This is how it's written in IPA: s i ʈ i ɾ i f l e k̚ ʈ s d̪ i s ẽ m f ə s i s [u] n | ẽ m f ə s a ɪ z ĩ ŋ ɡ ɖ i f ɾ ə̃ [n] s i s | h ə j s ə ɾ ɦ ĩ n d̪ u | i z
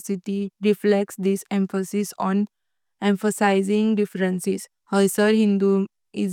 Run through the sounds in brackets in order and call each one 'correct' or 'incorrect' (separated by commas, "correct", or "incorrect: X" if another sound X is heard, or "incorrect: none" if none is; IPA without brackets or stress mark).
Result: incorrect: ɔ, correct